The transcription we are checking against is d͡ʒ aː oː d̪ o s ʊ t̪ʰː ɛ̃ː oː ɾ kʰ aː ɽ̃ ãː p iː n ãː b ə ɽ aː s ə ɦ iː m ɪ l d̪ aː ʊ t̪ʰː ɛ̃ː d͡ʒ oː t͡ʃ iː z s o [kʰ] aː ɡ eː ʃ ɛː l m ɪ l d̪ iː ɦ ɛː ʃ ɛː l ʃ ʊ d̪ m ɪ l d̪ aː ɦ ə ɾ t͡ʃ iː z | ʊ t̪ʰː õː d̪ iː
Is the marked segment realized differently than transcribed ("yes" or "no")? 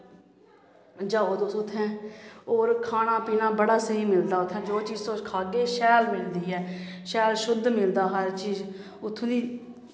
no